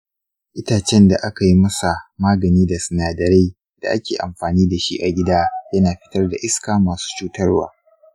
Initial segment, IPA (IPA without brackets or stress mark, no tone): ʔ